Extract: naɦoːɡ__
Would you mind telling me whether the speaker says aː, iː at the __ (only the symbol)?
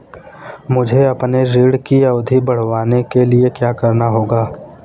aː